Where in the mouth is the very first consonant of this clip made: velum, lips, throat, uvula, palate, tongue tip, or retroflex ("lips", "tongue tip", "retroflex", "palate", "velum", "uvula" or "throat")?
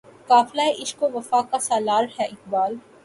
velum